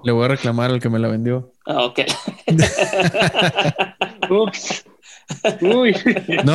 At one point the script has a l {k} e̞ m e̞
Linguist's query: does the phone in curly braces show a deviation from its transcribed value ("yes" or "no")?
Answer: no